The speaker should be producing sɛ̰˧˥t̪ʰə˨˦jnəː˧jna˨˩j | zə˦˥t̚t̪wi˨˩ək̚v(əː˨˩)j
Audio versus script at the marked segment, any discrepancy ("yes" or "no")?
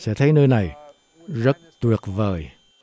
no